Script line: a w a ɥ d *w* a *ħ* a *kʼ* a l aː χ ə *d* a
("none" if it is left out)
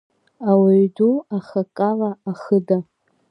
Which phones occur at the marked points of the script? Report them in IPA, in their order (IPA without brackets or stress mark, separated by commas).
u, χ, kʼ, d